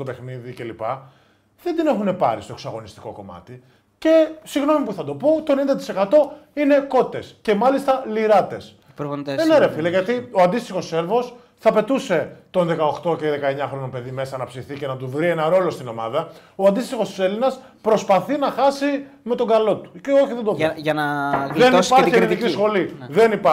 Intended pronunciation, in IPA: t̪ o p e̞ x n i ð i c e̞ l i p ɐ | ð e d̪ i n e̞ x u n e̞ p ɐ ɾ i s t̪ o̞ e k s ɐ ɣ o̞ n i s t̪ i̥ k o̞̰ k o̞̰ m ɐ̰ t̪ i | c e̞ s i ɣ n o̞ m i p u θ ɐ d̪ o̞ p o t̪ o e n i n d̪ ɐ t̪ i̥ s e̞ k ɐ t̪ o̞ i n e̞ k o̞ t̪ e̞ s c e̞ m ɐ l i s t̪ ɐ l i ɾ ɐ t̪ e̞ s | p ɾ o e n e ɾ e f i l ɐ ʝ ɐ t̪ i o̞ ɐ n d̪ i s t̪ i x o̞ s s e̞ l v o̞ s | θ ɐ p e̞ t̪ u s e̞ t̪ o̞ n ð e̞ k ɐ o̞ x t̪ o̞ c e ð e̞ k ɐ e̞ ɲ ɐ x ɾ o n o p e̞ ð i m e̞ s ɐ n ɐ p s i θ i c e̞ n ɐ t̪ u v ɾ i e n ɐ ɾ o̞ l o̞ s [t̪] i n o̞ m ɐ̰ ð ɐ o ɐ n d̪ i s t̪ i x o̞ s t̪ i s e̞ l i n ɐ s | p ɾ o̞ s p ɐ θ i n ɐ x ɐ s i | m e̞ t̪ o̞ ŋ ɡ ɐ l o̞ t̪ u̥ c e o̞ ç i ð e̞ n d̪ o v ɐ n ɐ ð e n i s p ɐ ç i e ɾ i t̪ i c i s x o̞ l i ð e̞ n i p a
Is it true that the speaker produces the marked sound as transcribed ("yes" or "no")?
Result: yes